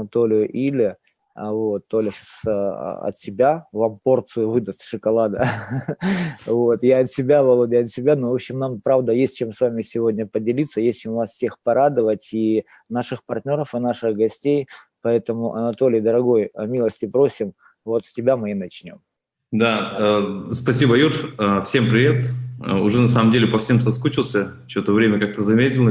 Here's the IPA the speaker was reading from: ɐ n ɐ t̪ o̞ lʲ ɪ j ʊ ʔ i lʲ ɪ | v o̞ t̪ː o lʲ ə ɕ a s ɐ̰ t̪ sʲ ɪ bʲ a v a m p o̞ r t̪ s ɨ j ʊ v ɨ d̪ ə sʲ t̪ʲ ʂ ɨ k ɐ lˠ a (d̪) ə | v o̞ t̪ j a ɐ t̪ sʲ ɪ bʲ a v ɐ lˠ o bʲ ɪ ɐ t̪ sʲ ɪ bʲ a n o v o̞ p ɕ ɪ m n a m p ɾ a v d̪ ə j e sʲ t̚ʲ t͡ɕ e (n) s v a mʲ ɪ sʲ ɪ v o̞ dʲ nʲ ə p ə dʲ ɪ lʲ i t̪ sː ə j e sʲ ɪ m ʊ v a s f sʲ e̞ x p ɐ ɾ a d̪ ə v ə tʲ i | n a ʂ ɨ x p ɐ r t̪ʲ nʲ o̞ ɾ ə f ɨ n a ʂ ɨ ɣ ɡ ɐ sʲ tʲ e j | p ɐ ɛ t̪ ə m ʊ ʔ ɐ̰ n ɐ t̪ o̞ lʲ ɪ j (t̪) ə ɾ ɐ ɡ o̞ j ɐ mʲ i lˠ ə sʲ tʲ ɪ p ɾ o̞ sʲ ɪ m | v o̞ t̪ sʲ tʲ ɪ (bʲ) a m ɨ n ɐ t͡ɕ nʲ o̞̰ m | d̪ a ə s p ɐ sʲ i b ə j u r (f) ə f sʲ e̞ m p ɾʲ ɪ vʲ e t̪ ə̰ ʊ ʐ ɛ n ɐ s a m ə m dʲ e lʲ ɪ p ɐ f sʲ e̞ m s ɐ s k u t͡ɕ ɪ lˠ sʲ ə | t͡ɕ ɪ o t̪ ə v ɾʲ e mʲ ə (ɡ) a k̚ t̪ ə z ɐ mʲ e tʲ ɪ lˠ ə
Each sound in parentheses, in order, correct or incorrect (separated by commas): correct, incorrect, incorrect, correct, correct, incorrect